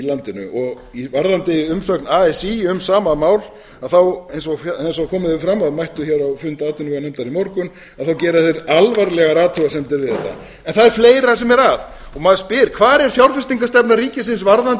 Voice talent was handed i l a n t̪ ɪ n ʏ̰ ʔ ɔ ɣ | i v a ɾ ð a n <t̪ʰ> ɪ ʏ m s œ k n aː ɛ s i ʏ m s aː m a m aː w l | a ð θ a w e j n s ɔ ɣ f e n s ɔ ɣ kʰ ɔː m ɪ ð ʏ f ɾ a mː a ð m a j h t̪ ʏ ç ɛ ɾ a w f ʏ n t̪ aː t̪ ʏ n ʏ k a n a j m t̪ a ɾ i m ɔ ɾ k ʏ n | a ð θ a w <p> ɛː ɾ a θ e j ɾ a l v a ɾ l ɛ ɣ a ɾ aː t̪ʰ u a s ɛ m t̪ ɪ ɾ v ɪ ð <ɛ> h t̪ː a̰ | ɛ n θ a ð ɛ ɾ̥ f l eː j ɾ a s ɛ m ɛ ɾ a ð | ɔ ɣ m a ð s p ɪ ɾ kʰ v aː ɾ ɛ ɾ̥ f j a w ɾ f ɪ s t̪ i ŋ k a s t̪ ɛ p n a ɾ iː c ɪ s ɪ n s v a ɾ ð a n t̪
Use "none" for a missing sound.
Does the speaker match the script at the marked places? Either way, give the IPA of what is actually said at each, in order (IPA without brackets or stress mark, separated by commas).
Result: t̪, c, ɛ